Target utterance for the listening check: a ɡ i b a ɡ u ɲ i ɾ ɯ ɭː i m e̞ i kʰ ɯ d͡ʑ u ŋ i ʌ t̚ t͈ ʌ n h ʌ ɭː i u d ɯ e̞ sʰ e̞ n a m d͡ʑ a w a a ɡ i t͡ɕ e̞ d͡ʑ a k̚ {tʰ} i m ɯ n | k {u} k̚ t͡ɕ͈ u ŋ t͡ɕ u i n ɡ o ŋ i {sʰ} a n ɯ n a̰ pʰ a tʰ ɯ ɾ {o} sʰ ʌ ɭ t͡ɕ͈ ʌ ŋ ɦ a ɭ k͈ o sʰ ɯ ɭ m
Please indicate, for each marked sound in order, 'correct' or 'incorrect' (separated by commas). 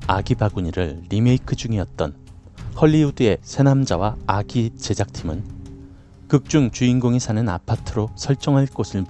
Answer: correct, incorrect, correct, correct